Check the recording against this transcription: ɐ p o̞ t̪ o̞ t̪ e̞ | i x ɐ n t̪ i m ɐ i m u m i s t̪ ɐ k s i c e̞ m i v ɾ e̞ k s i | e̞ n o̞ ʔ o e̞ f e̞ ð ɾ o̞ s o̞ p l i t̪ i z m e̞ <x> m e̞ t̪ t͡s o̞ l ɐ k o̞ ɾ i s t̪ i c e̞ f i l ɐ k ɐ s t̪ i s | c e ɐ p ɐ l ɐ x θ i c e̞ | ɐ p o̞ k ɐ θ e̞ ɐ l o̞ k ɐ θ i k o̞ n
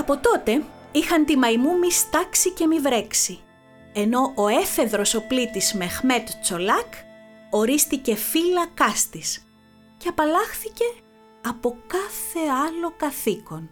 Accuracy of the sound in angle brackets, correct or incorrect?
correct